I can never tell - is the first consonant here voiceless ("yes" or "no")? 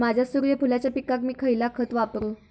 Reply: no